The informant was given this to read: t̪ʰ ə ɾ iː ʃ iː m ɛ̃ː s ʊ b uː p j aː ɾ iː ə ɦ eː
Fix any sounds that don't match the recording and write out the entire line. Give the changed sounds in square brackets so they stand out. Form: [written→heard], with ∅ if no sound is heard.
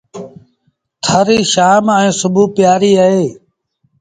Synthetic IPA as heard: t̪ʰ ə ɾ iː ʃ [iː→aː] m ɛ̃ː s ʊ b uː p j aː ɾ iː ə ɦ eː

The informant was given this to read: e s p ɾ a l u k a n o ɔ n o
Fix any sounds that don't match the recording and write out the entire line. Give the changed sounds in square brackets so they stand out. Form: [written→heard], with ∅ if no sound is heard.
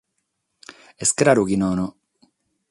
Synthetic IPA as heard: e s [p→k] ɾ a [l→ɾ] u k [a→i] n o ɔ n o

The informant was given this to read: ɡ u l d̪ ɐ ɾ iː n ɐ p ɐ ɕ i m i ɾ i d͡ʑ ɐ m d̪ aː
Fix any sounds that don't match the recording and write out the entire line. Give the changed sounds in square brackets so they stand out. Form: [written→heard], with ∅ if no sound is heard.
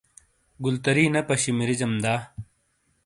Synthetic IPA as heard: ɡ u l [d̪→t̪] ɐ ɾ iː n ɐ p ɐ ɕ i m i ɾ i d͡ʑ ɐ m d̪ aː

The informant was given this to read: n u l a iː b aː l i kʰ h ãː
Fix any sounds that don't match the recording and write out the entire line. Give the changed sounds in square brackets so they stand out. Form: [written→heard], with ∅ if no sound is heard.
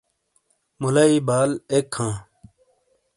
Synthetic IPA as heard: [n→m] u l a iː b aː l [i→e] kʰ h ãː

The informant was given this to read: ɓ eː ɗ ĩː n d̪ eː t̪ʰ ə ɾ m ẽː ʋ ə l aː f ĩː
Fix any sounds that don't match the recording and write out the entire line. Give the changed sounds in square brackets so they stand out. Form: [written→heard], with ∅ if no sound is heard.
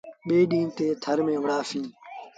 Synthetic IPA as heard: ɓ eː ɗ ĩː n [d̪→t̪] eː t̪ʰ ə ɾ m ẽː ʋ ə [l→ɽ] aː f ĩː

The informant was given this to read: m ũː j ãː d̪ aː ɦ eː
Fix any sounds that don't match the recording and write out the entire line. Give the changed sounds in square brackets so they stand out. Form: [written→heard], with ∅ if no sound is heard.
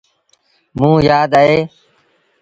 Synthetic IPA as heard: m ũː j [ãː→aː] d̪ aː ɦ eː

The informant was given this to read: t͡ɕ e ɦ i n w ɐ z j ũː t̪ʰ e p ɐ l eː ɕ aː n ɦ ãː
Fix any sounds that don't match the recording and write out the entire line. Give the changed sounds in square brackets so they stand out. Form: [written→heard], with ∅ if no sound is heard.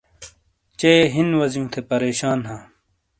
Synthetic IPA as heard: t͡ɕ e ɦ i n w ɐ z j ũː t̪ʰ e p ɐ [l→ɾ] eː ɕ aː n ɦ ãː

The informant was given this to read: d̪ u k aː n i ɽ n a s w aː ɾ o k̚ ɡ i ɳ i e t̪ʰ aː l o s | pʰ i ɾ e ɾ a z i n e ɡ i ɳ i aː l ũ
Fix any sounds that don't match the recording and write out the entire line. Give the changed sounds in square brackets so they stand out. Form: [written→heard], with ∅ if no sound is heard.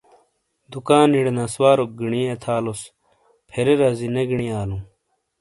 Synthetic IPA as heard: d̪ u k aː n i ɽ n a s w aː ɾ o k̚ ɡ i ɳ i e t̪ʰ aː l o s | pʰ [i→e] ɾ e ɾ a z i n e ɡ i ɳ i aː l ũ

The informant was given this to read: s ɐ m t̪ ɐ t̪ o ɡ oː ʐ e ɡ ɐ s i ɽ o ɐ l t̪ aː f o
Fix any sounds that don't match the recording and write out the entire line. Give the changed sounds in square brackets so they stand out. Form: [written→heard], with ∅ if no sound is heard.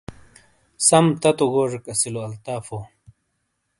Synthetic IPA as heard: s ɐ m t̪ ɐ t̪ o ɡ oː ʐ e [ɡ→k] ɐ s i [ɽ→l] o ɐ l t̪ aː f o

